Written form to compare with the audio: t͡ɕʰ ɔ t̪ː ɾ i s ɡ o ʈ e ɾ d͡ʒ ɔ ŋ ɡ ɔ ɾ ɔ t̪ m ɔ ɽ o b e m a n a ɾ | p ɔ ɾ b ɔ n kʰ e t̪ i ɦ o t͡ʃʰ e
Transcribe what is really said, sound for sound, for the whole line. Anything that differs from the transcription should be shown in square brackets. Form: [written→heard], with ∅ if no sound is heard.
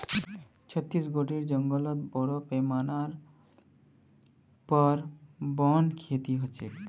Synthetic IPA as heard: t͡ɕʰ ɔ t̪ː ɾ i s ɡ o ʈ [e→i] ɾ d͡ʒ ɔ ŋ ɡ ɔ [ɾ→l] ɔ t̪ [m→b] ɔ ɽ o [b→p] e m a n a ɾ | p ɔ ɾ b ɔ n kʰ e t̪ i ɦ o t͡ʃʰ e